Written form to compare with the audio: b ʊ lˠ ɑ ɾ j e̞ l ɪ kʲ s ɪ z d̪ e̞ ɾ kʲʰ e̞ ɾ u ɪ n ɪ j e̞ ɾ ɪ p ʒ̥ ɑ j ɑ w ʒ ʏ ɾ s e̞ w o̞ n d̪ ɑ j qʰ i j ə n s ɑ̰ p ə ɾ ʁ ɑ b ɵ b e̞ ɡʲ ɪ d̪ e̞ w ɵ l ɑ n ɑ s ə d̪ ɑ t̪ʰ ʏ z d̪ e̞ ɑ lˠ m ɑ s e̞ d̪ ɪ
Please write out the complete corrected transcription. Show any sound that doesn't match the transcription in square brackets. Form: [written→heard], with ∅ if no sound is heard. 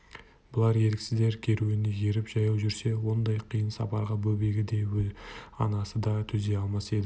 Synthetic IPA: b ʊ lˠ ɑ ɾ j e̞ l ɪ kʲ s ɪ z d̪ e̞ ɾ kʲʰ e̞ ɾ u ɪ n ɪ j e̞ ɾ ɪ p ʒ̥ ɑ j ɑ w ʒ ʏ ɾ s e̞ w o̞ n d̪ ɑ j qʰ i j ə n s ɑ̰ p [ə→ɑ] ɾ ʁ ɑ b ɵ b e̞ ɡʲ ɪ d̪ e̞ w ɵ l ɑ n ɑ s ə d̪ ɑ t̪ʰ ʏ z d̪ e̞ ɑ lˠ m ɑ s e̞ d̪ ɪ